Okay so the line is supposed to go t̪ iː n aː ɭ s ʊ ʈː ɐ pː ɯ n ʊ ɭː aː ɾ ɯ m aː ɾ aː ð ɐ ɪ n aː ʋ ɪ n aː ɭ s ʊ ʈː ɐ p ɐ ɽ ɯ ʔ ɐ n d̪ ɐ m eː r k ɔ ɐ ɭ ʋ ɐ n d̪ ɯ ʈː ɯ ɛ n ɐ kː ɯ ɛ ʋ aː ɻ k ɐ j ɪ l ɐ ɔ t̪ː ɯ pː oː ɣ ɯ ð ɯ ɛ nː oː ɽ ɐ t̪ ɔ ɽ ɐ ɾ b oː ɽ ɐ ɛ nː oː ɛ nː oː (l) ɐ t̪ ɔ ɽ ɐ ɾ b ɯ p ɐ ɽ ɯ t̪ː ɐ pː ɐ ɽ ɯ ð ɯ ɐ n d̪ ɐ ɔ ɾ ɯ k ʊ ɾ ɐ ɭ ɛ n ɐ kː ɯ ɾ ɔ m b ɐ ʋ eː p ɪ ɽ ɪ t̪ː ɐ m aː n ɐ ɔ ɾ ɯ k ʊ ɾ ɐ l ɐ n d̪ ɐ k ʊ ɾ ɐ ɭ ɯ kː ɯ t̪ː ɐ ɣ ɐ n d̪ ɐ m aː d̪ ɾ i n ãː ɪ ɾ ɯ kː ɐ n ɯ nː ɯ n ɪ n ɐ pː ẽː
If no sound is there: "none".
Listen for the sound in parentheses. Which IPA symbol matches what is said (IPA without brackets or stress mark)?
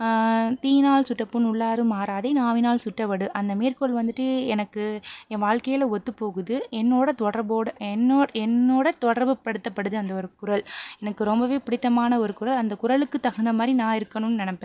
ɽ